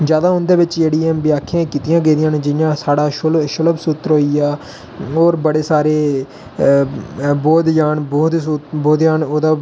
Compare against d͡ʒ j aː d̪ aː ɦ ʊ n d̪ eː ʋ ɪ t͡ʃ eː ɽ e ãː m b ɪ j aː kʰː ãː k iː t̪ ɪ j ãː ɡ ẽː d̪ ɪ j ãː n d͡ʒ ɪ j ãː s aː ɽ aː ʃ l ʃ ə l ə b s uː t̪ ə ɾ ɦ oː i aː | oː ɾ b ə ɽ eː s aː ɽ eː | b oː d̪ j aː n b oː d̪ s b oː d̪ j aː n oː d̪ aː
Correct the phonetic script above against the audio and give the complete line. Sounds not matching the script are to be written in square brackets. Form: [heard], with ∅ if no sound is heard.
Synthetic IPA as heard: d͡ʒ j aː d̪ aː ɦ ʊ n d̪ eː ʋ ɪ t͡ʃ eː ɽ [i] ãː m b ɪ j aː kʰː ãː k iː t̪ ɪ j ãː ɡ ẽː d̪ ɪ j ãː n d͡ʒ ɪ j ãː s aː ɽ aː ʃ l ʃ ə l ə b s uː t̪ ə ɾ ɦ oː i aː | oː ɾ b ə ɽ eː s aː [ɾ] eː | b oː d̪ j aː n b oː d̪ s b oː d̪ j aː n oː d̪ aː

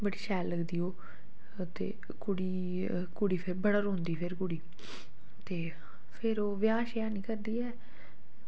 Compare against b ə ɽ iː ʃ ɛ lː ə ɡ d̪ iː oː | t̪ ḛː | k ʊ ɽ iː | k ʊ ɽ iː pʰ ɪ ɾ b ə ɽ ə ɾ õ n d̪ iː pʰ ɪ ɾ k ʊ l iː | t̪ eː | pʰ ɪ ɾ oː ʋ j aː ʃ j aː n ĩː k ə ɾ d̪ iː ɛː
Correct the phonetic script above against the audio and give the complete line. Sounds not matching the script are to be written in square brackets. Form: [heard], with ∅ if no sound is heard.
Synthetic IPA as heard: b ə ɽ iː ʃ [ɛː] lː ə ɡ d̪ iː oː | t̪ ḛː | k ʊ ɽ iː | k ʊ ɽ iː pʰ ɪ ɾ b ə ɽ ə ɾ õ n d̪ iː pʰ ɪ ɾ k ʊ [ɽ] iː | t̪ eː | pʰ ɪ ɾ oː ʋ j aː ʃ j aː n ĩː k ə ɾ d̪ iː ɛː

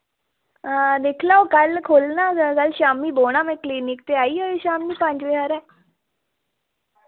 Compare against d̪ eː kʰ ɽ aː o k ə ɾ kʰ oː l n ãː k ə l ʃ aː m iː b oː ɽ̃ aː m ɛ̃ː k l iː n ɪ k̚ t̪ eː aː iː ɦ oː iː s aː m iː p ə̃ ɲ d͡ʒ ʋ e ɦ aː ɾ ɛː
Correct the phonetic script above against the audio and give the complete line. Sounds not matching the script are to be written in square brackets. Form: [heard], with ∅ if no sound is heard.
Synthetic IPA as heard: d̪ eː kʰ [l] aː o k ə [l] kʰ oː l n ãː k ə l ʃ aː m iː b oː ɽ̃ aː m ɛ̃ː k l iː n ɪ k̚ t̪ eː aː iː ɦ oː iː [ʃ] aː m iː p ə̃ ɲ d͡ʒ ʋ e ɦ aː ɾ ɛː

